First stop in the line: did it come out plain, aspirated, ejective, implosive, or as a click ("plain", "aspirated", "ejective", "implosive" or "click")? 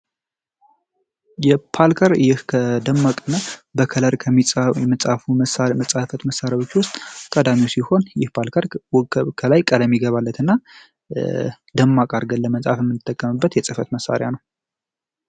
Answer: aspirated